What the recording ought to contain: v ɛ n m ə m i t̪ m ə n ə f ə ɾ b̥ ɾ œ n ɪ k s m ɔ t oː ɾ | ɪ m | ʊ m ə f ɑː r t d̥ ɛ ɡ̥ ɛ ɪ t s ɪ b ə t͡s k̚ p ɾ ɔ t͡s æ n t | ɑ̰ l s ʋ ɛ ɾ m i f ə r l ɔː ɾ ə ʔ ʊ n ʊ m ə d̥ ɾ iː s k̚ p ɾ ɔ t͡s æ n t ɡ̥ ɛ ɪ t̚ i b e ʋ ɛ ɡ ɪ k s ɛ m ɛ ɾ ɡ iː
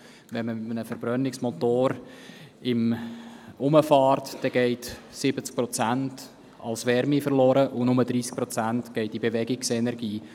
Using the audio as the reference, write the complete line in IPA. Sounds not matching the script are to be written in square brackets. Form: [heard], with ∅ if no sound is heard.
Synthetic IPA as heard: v ɛ n m ə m [ɪ] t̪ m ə n ə f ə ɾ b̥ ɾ œ n ɪ k s m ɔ t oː ɾ | ɪ m | ʊ m ə f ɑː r t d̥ ɛ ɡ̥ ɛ ɪ t s ɪ b ə t͡s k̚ p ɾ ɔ t͡s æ n t | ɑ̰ l s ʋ ɛ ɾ m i f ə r l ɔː ɾ ə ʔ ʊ n ʊ m ə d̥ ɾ iː s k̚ p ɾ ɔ t͡s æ n t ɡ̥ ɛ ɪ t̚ i b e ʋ ɛ ɡ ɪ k s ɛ [n] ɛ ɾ ɡ iː